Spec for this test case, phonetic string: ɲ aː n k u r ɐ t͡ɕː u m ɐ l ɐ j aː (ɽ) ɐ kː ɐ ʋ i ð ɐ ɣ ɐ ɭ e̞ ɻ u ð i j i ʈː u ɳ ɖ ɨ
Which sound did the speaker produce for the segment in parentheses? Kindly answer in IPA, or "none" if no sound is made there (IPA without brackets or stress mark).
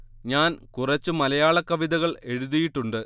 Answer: ɭ